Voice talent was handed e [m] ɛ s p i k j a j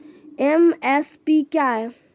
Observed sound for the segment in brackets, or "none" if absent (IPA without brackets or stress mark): m